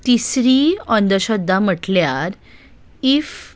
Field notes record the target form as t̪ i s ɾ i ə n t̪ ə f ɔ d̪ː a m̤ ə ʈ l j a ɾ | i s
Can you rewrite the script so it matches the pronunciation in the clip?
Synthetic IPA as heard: t̪ i s ɾ i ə n d̪ ə ɕ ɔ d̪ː a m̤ ə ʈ l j a ɾ | i f